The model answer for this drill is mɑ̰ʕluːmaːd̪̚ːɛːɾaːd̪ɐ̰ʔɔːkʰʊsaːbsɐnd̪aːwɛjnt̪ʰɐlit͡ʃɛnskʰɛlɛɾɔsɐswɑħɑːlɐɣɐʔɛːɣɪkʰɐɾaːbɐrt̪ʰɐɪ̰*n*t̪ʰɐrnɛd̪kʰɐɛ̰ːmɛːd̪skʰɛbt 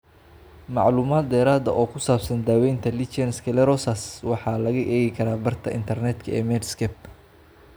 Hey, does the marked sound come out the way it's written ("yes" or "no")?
yes